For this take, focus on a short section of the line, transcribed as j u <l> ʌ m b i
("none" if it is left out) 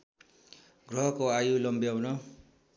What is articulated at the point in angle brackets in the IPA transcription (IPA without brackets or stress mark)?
l